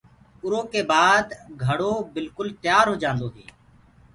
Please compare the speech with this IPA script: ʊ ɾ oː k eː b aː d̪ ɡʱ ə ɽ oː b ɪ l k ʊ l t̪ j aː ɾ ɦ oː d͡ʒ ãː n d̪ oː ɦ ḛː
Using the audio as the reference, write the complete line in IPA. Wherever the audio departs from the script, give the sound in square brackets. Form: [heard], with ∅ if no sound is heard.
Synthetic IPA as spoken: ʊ ɾ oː k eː b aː d̪ ɡʱ ə ɽ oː b ɪ l k ʊ l t̪ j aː ɾ ɦ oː d͡ʒ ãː n d̪ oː ɦ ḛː